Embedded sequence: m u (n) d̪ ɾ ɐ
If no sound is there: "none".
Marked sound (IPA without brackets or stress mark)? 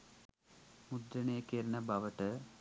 none